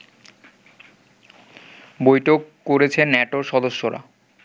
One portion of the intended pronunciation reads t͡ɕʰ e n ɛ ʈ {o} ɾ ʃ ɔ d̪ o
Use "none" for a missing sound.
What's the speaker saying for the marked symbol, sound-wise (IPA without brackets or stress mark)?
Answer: o